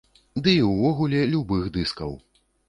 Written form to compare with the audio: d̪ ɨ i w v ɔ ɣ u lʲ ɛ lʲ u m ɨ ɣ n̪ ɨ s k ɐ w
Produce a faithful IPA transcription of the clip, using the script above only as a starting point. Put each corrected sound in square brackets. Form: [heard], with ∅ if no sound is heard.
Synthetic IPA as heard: d̪ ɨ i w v ɔ ɣ u lʲ ɛ lʲ u [b] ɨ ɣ [d̪] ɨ s k ɐ w

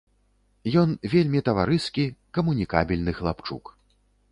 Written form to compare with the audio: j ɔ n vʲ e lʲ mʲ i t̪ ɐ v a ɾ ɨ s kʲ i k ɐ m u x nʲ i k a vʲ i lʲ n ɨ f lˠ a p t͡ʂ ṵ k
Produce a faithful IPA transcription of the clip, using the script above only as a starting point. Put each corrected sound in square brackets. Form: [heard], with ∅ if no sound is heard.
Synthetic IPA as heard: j ɔ n vʲ e lʲ mʲ i t̪ ɐ v a ɾ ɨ s kʲ i k ɐ m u [∅] nʲ i k a [bʲ] i lʲ n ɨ [x] lˠ a p t͡ʂ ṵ k

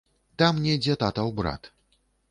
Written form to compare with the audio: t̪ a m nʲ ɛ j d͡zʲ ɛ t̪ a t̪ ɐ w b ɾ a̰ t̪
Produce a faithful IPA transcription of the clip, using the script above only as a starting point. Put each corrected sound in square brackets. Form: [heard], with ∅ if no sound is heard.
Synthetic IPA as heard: t̪ a m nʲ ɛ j d͡zʲ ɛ t̪ a t̪ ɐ w b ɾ a̰ t̪

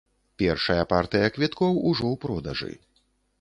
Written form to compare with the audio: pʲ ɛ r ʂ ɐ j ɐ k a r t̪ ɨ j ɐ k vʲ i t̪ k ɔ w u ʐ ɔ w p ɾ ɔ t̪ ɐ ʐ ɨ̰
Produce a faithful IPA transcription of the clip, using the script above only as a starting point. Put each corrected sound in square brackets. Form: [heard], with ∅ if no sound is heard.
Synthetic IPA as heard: pʲ ɛ r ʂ ɐ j ɐ [p] a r t̪ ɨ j ɐ k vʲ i t̪ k ɔ w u ʐ ɔ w p ɾ ɔ [d̪] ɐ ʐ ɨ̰

